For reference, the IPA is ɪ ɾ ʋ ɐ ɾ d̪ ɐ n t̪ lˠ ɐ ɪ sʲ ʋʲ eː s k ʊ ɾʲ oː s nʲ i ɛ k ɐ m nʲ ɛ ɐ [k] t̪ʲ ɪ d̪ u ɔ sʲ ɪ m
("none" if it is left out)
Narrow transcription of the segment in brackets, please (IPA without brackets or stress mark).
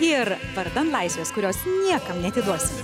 none